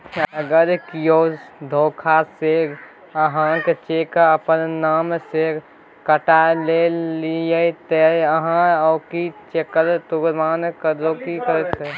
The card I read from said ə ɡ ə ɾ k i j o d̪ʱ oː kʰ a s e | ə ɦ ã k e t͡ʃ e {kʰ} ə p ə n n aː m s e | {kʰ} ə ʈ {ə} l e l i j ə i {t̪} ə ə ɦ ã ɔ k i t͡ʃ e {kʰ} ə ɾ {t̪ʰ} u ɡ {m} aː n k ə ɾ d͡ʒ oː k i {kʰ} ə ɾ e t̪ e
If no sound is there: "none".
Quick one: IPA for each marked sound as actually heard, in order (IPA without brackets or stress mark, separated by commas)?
k, k, a, t̪, k, t̪, m, k